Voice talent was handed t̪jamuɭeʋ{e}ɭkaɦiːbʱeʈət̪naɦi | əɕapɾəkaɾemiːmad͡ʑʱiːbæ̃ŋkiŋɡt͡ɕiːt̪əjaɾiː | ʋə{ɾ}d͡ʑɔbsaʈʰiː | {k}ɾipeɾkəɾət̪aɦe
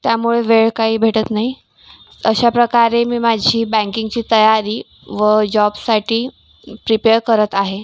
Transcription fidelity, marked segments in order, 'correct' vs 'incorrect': correct, incorrect: none, incorrect: p

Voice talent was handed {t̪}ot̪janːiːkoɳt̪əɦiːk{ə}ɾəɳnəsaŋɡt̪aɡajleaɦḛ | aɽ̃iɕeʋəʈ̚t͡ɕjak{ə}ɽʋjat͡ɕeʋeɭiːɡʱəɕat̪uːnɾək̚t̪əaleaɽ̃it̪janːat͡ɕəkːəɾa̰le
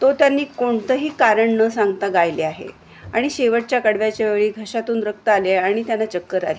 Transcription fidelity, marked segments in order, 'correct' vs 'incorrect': correct, incorrect: a, correct

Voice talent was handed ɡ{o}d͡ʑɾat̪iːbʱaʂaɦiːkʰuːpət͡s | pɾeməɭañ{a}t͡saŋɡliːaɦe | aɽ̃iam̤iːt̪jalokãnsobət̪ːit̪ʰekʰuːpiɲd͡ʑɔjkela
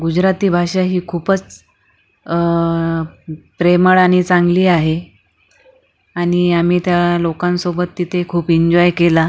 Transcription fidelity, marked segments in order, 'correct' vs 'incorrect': incorrect: u, incorrect: i

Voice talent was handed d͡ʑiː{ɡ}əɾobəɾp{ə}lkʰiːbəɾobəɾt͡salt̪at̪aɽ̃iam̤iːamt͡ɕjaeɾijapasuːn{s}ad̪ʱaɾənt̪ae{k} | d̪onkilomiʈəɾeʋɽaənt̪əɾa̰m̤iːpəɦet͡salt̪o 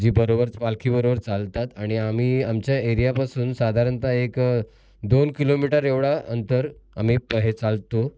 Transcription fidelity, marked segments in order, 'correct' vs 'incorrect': incorrect: b, incorrect: a, correct, correct

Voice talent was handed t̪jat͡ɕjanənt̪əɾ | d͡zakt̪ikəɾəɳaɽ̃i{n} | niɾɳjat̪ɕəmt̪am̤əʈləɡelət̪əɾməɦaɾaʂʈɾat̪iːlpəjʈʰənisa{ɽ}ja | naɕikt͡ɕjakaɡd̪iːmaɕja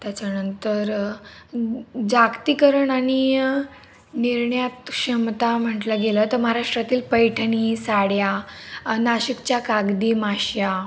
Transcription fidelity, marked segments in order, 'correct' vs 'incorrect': incorrect: none, correct

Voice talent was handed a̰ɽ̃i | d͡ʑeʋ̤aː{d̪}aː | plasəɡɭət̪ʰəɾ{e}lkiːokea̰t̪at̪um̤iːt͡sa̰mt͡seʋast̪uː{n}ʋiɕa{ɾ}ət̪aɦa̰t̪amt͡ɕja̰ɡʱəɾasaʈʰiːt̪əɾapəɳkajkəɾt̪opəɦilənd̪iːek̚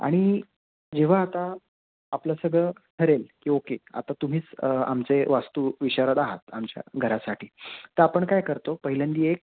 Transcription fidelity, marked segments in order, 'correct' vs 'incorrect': incorrect: t̪, correct, incorrect: none, correct

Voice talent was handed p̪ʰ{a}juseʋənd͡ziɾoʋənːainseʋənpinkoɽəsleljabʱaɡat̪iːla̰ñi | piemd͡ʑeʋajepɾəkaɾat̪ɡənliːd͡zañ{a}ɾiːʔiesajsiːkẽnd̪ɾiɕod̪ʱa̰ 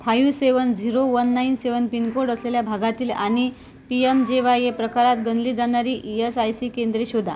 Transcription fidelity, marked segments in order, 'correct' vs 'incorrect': correct, correct

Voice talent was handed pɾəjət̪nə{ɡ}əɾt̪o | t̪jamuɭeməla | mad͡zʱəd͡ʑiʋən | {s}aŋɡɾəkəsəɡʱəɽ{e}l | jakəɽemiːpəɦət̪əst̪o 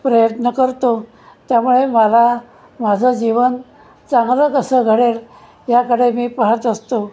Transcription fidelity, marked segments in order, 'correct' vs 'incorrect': incorrect: k, incorrect: t͡s, correct

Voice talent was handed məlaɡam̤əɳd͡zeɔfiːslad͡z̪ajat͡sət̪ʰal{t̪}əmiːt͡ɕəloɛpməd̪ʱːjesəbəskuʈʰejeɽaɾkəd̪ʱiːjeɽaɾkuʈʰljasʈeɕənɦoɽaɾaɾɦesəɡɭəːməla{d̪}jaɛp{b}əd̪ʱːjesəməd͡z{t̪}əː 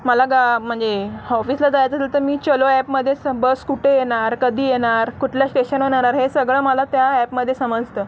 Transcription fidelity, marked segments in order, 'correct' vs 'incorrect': correct, incorrect: t̪, incorrect: m, correct

